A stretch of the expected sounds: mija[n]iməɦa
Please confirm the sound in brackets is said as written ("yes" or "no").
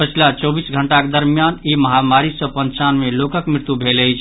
yes